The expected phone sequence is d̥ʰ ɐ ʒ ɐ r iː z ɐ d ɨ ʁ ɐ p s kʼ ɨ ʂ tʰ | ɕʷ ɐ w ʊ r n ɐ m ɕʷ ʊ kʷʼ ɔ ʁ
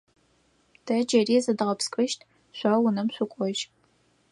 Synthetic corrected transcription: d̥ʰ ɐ d͡ʒ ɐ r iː z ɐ d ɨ ʁ ɐ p s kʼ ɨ ʃ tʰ | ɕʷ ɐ w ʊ n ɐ m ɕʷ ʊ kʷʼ ɔ ʒ

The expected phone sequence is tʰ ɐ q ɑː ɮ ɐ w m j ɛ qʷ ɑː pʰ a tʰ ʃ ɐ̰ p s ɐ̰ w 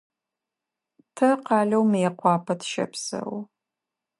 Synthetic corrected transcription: tʰ ɐ q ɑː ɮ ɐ w m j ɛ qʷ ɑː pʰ ɐ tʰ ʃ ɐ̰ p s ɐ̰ w

